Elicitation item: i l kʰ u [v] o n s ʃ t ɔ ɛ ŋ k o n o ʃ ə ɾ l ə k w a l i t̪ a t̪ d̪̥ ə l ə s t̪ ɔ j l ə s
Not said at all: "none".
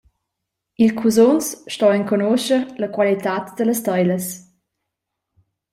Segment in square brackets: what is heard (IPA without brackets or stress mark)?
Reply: z